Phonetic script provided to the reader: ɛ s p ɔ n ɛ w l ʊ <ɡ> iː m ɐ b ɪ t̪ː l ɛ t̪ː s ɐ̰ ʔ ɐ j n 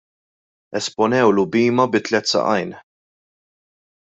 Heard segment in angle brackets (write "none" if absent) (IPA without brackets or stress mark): b